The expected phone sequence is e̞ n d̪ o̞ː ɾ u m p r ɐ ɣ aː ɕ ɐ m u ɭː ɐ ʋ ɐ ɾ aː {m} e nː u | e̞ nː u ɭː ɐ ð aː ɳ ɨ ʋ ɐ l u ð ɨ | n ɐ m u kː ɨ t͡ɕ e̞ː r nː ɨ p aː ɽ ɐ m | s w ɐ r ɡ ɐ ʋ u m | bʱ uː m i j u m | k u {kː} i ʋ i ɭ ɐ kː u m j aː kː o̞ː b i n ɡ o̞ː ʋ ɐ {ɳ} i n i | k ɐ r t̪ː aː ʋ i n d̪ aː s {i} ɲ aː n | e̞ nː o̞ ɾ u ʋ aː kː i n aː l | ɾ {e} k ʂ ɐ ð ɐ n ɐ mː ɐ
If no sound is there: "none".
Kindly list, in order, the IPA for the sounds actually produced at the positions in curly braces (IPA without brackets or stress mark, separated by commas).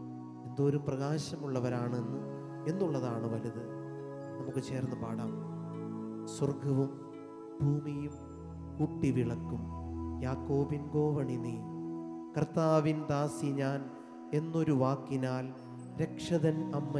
ɳ, ʈː, ɳ, i, e